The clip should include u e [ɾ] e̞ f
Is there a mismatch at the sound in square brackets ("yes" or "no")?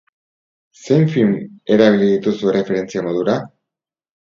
yes